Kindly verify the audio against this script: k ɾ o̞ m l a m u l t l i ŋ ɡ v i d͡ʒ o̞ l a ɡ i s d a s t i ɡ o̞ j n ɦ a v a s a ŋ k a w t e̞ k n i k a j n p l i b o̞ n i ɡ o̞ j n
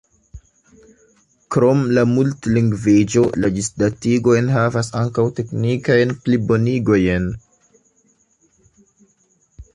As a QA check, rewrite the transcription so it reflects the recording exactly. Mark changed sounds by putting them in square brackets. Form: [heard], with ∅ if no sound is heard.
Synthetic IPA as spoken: k ɾ o̞ m l a m u l t l i ŋ ɡ v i d͡ʒ o̞ l a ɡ i s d a [∅] t i ɡ o̞ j n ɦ a v a s a ŋ k a w t e̞ k n i k a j n p l i b o̞ n i ɡ o̞ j n